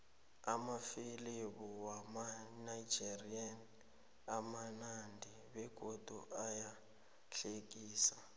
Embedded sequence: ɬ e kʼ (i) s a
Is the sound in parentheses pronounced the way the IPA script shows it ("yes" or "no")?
no